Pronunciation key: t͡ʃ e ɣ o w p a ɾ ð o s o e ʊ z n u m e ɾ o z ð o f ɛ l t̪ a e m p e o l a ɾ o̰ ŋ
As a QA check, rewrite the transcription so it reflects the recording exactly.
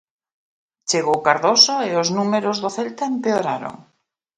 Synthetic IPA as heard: t͡ʃ e ɣ o w k a ɾ ð o s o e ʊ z n u m e ɾ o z ð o θ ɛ l t̪ a e m p e o ɾ a ɾ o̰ ŋ